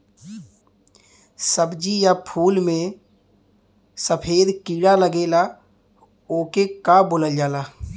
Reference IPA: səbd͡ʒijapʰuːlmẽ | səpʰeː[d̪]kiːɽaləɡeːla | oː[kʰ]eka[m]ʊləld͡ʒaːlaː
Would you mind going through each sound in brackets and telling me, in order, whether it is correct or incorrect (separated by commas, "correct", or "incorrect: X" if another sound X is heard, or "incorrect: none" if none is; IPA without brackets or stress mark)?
correct, incorrect: k, incorrect: b